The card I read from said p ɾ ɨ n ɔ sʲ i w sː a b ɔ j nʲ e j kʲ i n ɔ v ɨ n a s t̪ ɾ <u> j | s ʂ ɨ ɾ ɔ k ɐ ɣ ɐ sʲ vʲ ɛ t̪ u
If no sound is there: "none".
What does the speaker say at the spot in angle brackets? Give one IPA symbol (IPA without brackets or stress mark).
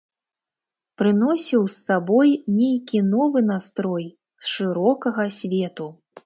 ɔ